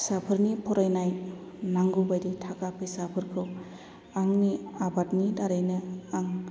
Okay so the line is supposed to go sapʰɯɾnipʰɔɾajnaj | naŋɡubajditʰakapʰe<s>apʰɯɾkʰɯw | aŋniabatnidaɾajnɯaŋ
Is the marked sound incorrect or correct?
correct